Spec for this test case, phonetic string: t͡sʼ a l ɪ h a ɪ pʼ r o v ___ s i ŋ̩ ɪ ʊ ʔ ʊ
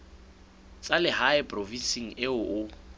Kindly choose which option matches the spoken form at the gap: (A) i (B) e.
A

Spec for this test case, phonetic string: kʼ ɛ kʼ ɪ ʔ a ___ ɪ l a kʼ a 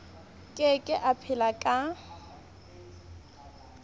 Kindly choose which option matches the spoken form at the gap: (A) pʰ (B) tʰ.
A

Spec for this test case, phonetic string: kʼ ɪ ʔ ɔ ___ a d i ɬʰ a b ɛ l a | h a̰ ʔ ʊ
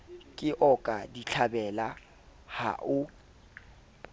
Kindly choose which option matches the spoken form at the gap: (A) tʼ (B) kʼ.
B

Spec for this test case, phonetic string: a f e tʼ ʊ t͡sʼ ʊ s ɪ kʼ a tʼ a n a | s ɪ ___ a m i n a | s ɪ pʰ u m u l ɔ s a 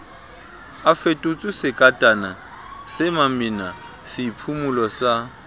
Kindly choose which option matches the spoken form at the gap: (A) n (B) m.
B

